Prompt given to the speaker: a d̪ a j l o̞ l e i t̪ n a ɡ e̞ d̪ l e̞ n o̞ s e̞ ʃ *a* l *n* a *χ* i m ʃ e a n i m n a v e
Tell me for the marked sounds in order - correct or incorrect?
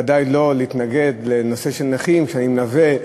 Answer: incorrect: e, correct, correct

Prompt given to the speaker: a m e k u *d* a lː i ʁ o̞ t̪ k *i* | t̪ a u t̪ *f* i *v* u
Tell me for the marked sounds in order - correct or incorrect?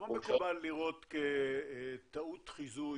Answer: incorrect: b, incorrect: e, incorrect: χ, incorrect: z

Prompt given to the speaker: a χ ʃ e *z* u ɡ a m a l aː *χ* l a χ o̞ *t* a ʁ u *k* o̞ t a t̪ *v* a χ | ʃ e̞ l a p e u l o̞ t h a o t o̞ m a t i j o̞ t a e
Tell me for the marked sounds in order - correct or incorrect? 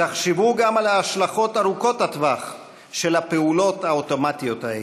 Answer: incorrect: v, incorrect: ʃ, correct, correct, correct

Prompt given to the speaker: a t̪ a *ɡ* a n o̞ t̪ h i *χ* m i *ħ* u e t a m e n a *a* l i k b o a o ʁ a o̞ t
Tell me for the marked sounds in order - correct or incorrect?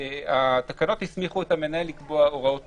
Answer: incorrect: k, incorrect: s, incorrect: χ, incorrect: e

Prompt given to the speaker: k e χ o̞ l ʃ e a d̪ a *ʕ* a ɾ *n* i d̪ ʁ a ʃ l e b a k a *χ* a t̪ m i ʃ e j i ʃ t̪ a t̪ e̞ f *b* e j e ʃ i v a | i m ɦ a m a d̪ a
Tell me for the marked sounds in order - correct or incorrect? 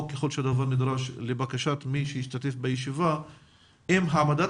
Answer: incorrect: v, correct, incorrect: ʃ, correct

